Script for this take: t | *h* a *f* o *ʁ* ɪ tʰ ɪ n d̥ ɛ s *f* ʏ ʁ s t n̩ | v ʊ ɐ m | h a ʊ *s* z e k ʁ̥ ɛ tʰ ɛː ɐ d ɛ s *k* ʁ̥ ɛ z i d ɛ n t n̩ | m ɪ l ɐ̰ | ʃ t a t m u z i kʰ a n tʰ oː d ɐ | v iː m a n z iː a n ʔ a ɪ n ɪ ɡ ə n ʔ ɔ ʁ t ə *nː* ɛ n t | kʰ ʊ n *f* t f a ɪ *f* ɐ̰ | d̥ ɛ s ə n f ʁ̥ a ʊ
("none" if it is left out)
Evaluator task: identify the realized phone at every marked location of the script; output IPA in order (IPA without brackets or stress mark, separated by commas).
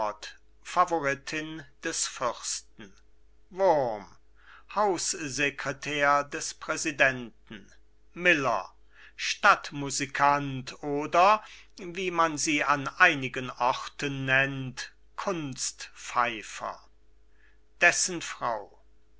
f, v, ʁ, f, s, p, nː, s, f